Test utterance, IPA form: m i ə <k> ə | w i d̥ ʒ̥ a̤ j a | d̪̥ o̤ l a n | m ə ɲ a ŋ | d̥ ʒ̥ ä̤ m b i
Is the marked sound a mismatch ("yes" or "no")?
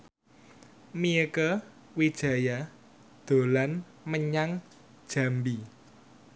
no